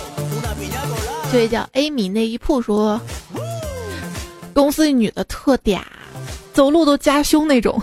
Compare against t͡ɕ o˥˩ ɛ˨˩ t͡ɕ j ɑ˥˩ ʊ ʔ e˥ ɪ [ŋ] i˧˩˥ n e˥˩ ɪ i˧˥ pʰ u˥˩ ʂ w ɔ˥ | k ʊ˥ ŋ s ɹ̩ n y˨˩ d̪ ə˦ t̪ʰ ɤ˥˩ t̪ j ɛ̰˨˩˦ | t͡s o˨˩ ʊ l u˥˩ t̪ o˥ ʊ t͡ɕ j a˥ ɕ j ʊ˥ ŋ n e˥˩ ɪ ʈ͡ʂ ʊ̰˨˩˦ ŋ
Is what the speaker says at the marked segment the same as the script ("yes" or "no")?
no